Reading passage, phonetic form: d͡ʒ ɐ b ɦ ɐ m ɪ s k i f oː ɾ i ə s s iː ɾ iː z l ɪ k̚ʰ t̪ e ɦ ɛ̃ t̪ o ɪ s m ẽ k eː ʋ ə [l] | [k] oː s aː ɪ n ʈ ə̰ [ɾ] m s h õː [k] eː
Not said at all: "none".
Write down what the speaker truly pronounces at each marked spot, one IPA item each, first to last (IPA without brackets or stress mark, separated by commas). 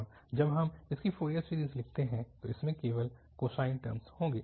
l, k, ɾ, ɡ